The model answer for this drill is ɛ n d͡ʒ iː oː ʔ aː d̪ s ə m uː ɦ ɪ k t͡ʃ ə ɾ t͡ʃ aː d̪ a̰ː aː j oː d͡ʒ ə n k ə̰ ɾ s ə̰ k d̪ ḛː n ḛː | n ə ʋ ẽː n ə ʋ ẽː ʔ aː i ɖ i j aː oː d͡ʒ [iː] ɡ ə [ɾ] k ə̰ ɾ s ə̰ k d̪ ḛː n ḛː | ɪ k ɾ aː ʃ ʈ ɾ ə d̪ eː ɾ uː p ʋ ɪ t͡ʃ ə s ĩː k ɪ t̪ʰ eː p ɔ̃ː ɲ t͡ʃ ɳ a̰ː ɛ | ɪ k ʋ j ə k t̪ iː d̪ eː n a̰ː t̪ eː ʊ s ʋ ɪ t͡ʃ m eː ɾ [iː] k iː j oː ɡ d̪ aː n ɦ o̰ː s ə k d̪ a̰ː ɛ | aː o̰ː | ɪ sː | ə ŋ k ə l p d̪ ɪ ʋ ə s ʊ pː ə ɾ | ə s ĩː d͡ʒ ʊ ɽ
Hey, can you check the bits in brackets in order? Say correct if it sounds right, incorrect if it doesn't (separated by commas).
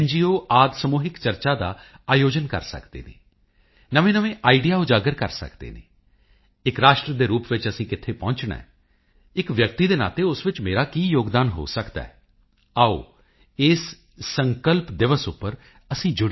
incorrect, correct, incorrect